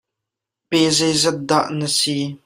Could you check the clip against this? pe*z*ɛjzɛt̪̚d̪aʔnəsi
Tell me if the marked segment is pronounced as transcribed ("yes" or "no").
yes